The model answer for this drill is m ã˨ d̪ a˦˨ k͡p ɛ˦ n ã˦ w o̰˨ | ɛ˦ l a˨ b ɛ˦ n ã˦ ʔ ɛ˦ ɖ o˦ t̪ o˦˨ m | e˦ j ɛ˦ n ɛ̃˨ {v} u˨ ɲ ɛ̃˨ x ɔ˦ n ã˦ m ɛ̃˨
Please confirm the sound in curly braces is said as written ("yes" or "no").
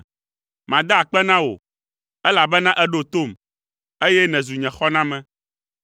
no